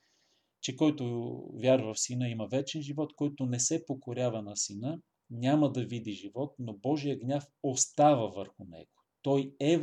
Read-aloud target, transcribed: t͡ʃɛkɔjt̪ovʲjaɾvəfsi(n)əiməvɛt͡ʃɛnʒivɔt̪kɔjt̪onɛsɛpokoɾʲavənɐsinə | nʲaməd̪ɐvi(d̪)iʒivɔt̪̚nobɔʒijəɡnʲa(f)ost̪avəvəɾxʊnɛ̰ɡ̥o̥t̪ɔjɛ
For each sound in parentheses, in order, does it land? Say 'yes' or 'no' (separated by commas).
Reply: yes, yes, yes